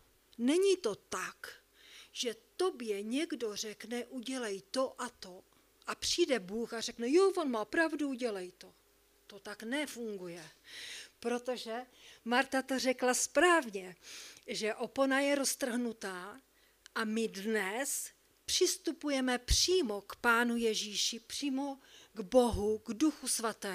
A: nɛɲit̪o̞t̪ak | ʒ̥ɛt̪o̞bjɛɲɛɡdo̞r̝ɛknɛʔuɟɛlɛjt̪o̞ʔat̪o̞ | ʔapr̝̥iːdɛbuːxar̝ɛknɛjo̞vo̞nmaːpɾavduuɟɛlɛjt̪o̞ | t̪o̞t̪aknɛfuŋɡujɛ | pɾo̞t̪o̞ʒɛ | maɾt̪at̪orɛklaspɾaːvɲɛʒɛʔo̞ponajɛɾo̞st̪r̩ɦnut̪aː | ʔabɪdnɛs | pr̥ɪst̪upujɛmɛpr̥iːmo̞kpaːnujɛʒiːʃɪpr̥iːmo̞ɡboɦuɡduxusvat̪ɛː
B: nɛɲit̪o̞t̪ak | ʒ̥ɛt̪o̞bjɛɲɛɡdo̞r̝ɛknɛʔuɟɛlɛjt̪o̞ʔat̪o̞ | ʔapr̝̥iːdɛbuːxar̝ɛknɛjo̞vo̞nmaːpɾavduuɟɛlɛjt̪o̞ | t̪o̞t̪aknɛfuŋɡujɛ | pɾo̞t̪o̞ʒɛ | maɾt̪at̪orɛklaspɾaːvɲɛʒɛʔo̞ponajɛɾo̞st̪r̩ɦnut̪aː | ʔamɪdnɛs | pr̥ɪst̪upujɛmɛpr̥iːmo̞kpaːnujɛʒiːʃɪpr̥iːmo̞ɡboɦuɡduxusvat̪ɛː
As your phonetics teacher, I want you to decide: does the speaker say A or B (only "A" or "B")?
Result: B